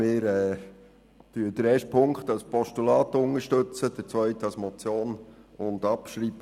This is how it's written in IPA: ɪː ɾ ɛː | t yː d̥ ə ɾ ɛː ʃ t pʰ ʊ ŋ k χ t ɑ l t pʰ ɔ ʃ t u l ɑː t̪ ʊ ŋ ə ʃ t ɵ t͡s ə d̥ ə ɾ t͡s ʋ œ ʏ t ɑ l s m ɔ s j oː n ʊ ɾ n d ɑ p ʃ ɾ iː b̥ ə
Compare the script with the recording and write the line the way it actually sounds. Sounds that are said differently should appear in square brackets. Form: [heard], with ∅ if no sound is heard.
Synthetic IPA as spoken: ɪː ɾ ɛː | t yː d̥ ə ɾ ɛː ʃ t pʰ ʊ ŋ k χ t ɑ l [s] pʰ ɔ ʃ t u l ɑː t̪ ʊ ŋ ə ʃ t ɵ t͡s ə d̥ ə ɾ t͡s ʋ œ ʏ t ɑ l s m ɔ [t͡s] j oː n ʊ [∅] n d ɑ p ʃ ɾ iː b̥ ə